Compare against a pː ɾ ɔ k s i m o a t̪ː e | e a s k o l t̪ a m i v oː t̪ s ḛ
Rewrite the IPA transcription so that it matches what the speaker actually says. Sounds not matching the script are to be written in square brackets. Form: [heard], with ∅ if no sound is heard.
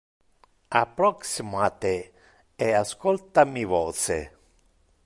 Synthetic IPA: a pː ɾ ɔ k s i m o a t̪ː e | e a s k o l t̪ a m i v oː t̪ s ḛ